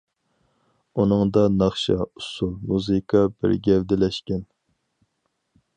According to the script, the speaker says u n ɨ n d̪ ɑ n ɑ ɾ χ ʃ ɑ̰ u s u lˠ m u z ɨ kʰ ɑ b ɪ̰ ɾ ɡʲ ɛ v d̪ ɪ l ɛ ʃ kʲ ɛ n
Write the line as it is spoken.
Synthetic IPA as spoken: u n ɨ ŋ d̪ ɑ n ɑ χ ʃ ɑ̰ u s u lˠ m u z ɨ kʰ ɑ b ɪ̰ ɾ ɡʲ ɛ v d̪ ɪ l ɛ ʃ kʲ ɛ n